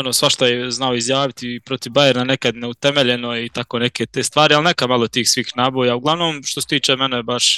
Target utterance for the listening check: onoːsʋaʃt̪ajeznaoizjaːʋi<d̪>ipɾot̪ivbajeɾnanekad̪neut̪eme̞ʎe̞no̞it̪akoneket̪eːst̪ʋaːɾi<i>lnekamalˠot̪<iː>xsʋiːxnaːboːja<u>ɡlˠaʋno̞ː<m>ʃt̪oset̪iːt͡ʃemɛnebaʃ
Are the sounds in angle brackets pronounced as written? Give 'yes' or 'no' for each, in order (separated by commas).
no, no, yes, yes, yes